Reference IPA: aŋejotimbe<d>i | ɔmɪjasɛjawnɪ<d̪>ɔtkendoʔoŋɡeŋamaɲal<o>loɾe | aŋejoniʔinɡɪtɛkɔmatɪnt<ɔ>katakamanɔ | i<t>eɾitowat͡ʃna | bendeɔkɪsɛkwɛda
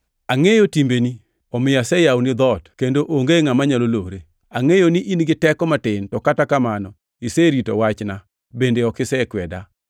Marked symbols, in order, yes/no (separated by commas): no, yes, yes, yes, no